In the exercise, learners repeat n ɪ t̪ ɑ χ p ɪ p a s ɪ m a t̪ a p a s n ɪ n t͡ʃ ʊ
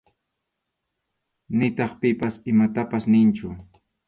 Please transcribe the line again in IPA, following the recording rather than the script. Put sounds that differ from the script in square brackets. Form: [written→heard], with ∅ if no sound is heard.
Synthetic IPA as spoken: n ɪ t̪ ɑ χ p ɪ p a s ɪ m a t̪ a p a s n ɪ n t͡ʃ ʊ